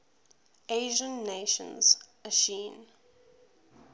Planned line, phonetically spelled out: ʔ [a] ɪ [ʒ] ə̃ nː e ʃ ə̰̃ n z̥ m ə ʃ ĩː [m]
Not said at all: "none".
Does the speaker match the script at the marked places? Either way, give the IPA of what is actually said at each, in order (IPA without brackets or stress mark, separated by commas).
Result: e, ʒ, n